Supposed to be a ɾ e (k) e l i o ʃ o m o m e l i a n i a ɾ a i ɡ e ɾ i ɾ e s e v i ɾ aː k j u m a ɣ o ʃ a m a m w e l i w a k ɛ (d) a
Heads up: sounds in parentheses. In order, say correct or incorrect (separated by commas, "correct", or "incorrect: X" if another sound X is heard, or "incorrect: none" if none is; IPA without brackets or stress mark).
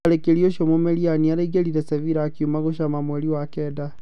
correct, correct